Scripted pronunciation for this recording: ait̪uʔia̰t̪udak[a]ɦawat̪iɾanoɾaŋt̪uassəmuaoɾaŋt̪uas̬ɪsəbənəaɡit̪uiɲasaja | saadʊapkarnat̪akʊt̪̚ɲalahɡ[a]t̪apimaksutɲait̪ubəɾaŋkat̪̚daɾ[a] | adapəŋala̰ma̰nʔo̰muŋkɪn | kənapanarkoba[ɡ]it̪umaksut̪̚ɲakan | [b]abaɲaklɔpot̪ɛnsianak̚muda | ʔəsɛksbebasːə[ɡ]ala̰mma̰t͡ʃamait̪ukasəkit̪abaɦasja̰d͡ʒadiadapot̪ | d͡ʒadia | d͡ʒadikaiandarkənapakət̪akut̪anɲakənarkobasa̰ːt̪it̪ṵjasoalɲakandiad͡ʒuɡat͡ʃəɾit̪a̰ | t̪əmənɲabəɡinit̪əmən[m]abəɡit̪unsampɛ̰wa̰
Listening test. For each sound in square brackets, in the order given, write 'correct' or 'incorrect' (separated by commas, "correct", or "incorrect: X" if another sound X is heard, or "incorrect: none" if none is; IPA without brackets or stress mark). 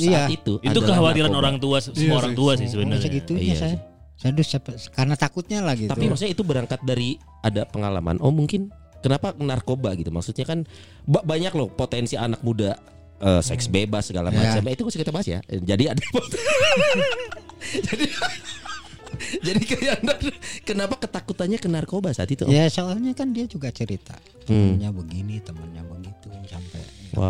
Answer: incorrect: ə, incorrect: i, incorrect: i, correct, correct, correct, incorrect: ɲ